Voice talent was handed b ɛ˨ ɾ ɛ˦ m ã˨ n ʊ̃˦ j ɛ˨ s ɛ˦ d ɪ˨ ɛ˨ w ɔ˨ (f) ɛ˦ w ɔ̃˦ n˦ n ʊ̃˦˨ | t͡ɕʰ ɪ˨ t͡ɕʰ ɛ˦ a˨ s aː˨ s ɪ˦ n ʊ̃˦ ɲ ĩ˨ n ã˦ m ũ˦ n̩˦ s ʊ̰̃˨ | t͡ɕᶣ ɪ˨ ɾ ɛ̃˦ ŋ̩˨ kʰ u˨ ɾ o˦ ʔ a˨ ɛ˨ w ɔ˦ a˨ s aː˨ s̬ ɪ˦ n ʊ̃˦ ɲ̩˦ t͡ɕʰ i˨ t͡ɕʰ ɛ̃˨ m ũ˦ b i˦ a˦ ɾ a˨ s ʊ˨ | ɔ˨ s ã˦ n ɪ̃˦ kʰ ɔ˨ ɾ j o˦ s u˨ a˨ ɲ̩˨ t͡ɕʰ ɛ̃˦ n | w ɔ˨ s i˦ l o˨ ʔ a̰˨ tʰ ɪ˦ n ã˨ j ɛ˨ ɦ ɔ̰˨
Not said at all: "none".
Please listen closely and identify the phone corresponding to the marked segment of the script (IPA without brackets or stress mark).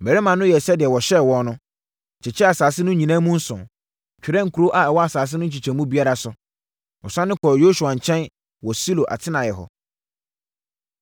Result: ɕ